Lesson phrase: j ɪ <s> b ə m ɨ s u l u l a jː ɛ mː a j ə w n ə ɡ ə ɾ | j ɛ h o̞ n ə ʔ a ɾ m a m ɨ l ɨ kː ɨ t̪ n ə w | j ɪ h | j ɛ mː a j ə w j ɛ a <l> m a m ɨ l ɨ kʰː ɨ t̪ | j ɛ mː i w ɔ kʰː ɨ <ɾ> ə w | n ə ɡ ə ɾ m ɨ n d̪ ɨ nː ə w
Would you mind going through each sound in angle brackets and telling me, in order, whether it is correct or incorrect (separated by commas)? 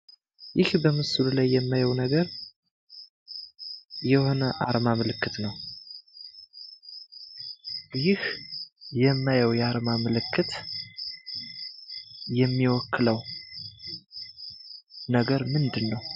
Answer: incorrect, incorrect, incorrect